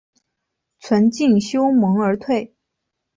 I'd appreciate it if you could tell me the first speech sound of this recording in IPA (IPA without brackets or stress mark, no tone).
t͡sʰ